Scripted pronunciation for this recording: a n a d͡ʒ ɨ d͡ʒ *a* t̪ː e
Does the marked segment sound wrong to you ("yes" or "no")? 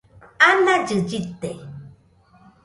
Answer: yes